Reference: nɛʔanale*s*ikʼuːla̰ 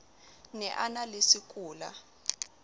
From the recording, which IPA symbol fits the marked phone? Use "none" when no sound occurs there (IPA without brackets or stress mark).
s